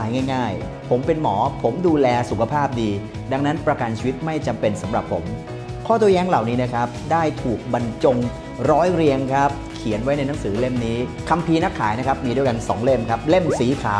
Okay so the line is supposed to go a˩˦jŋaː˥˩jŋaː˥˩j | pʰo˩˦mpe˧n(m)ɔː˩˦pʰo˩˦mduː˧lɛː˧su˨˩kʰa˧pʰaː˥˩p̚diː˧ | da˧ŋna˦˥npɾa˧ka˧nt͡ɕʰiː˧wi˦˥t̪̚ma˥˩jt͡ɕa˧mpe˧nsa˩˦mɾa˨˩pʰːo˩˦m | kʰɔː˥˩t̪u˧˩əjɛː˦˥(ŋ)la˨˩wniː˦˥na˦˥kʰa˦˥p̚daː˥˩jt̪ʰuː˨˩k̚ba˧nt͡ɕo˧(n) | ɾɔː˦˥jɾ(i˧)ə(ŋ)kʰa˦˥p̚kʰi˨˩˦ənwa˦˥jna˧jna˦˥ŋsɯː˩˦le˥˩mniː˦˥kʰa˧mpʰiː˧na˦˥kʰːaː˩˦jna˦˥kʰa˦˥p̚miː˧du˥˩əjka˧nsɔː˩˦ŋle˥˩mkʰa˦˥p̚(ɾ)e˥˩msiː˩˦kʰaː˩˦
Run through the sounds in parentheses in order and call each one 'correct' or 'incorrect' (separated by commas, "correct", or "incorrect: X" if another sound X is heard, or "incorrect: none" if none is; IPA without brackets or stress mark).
correct, correct, incorrect: ŋ, correct, correct, incorrect: l